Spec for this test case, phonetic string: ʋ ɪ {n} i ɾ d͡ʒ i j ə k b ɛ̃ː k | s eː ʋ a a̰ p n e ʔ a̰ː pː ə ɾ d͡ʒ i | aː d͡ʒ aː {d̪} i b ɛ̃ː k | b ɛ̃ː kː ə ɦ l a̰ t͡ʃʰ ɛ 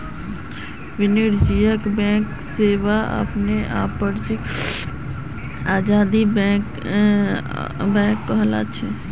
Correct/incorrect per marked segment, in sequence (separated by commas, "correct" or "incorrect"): correct, correct